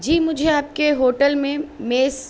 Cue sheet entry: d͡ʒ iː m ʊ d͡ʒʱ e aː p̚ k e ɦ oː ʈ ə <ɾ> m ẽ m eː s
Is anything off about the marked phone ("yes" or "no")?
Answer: yes